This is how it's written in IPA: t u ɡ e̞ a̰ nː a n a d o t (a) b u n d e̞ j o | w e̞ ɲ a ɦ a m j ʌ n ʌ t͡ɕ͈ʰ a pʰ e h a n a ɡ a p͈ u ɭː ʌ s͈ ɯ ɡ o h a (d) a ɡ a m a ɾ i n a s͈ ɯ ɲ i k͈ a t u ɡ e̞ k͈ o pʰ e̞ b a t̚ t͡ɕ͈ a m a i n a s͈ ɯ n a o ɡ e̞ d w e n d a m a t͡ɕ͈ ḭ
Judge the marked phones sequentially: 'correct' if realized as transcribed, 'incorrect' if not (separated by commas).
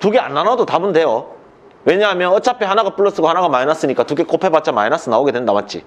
correct, incorrect